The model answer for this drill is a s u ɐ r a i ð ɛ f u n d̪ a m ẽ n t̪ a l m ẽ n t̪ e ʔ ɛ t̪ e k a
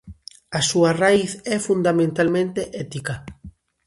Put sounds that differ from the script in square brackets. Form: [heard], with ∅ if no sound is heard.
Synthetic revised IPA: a s u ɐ r a i [θ] ɛ f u n d̪ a m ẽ n t̪ a l m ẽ n t̪ e ʔ ɛ t̪ [i] k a